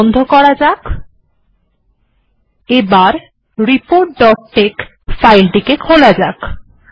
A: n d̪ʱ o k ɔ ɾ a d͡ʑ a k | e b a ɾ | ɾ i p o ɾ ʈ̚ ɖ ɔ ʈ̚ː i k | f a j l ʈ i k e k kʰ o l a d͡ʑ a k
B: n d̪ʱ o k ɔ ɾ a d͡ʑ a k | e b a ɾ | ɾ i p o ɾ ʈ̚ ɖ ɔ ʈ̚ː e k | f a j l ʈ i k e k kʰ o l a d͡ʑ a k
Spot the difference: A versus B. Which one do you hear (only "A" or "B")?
B